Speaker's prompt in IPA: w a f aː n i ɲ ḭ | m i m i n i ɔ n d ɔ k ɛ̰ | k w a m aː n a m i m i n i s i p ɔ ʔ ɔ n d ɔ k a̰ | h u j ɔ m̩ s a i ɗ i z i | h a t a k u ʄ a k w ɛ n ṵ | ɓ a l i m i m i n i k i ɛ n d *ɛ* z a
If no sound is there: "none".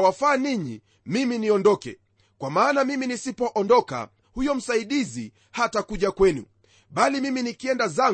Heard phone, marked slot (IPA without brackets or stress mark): a